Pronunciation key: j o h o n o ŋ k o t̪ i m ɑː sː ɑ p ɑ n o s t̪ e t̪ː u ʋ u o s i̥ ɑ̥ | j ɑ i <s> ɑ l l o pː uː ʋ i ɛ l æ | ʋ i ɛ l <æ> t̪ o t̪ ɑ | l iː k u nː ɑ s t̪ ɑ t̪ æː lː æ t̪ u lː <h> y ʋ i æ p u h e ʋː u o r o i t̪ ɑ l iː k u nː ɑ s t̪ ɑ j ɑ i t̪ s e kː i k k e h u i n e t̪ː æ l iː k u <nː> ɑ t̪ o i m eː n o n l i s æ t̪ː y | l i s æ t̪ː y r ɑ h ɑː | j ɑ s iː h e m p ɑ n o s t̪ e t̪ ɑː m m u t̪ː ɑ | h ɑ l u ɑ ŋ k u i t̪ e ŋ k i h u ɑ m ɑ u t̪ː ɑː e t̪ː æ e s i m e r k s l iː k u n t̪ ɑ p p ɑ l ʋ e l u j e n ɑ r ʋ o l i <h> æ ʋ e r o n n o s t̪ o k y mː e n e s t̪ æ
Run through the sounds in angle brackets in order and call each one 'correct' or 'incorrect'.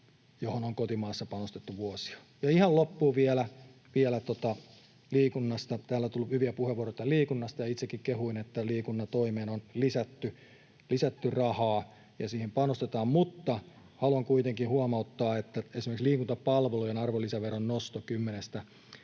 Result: incorrect: h, correct, correct, correct, incorrect: s

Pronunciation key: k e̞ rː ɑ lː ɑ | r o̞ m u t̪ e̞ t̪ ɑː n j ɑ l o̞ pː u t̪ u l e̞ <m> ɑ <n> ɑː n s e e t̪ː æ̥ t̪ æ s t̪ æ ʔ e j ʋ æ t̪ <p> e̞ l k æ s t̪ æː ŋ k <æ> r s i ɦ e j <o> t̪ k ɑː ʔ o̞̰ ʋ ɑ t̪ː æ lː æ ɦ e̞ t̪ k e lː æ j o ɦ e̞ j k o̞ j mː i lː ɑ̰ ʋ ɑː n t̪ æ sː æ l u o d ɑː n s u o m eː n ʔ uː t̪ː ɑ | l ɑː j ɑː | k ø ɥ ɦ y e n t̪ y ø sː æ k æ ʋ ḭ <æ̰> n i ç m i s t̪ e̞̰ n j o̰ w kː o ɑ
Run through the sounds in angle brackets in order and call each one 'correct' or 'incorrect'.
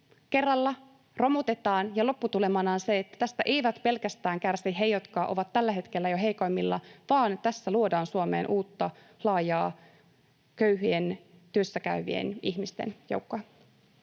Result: correct, correct, correct, correct, correct, incorrect: ḛ

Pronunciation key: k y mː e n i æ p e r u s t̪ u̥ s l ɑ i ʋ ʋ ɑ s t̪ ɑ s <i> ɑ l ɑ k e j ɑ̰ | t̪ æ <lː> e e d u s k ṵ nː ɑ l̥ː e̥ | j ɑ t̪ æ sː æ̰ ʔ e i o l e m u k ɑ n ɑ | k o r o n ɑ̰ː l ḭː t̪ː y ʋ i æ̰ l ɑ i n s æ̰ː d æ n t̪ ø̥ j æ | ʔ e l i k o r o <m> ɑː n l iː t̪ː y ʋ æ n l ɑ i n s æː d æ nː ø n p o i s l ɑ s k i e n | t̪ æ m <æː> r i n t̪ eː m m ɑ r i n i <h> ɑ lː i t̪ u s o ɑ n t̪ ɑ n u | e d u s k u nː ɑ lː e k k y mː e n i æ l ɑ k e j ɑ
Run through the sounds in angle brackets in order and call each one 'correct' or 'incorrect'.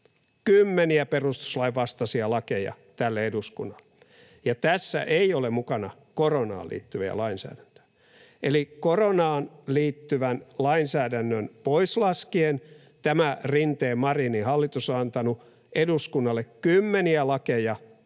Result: correct, correct, incorrect: n, incorrect: æ, correct

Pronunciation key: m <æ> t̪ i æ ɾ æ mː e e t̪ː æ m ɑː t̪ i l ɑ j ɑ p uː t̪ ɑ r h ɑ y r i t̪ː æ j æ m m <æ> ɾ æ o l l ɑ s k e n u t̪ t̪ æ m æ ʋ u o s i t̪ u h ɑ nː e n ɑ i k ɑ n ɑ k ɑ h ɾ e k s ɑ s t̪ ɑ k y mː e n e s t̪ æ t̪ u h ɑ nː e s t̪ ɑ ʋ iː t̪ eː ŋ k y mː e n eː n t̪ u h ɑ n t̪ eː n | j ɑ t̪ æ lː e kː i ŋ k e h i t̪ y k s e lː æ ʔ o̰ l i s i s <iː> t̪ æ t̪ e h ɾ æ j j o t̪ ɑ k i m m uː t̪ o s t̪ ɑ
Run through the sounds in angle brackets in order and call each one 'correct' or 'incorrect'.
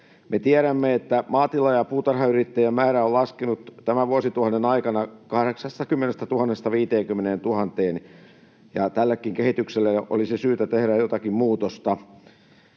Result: incorrect: e, incorrect: æː, incorrect: yː

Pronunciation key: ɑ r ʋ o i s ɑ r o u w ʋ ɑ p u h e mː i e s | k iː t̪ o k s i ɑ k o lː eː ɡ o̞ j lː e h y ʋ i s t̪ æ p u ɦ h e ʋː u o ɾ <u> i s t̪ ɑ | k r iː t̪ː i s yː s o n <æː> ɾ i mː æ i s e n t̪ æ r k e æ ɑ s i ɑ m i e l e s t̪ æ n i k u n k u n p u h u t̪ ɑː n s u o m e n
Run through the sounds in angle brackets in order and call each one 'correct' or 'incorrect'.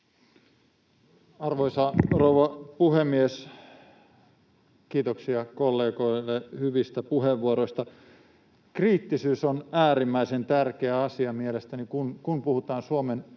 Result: incorrect: o, correct

